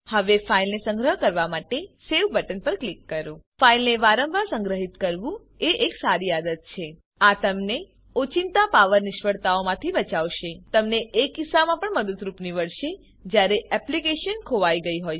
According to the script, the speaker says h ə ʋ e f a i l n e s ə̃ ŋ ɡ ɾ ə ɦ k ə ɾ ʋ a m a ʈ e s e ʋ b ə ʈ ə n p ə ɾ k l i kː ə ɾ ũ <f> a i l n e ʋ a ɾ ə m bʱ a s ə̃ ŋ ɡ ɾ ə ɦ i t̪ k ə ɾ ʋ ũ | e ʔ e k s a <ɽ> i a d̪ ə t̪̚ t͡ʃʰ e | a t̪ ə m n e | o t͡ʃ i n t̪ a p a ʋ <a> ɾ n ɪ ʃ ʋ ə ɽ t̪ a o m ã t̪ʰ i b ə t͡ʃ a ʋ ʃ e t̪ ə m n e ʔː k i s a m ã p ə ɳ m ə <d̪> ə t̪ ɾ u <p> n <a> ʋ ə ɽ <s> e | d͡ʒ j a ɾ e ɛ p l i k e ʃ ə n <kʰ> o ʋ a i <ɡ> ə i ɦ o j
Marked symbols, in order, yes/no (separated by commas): yes, no, no, yes, yes, no, no, yes, yes